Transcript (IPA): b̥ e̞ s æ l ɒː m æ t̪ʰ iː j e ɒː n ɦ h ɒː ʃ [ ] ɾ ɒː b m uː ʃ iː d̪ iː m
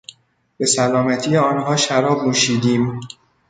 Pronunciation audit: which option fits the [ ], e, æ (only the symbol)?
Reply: æ